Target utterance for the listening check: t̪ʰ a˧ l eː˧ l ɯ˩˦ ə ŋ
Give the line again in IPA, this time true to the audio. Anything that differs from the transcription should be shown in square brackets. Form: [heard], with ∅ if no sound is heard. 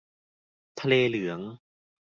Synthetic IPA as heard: t̪ʰ a˧ l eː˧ l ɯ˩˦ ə ŋ